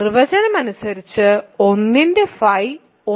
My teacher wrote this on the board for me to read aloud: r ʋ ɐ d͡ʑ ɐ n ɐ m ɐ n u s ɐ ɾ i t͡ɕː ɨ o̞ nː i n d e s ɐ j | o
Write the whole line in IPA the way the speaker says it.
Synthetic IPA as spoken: r ʋ ɐ d͡ʑ ɐ n ɐ m ɐ n u s ɐ ɾ i t͡ɕː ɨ o̞ nː i n d e f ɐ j | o